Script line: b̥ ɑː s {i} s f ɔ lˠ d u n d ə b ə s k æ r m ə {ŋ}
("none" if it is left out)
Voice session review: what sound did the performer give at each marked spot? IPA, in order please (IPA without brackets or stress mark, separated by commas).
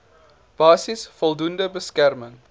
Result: i, ŋ